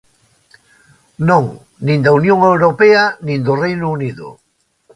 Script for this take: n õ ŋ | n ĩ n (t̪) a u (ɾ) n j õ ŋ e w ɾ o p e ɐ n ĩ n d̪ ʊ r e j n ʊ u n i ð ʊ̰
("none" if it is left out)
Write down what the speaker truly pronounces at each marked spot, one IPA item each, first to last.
d̪, none

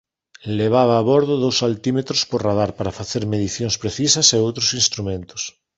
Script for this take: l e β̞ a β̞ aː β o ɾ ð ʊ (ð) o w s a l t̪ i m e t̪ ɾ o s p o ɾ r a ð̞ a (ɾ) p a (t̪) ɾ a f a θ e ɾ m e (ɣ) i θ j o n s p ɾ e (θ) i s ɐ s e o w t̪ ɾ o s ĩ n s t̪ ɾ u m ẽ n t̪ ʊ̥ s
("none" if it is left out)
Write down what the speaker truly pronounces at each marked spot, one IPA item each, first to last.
ð, ɾ, none, ð, θ

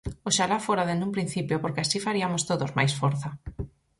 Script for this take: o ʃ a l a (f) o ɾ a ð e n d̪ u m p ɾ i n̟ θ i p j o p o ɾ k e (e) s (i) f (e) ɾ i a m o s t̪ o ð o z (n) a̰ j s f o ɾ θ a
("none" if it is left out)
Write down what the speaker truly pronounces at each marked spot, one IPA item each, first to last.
f, a, i, a, m

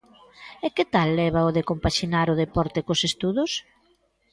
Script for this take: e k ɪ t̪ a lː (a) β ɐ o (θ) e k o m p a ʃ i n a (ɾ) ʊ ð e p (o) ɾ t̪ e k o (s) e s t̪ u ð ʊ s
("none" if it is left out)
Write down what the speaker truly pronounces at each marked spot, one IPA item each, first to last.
ɛ, ð, ɾ, ɔ, s

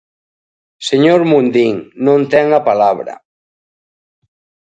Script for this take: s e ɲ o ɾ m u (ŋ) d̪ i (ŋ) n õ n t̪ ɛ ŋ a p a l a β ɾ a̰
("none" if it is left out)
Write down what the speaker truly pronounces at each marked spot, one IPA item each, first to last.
n, ŋ

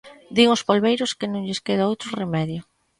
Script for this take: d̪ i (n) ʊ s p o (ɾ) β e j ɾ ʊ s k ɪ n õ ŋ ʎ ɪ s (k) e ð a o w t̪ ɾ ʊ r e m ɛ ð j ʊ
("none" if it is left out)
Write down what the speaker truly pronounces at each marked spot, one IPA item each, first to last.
ŋ, l, k

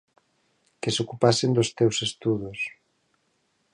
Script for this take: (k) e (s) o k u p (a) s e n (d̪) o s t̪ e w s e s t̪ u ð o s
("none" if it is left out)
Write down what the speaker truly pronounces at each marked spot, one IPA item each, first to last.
k, s, a, d̪

